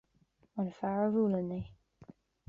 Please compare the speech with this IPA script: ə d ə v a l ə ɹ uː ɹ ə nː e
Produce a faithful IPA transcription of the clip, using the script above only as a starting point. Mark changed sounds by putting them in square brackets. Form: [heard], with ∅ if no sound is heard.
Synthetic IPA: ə [n] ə [f] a [ɹ] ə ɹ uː [l] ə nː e